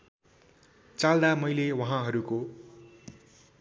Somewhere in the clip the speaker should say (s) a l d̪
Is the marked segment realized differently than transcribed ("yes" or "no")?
yes